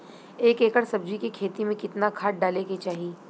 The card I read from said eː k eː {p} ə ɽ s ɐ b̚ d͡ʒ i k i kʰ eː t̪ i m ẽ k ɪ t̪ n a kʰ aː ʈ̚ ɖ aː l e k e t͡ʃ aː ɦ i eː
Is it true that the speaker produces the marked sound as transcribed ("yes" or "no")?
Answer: no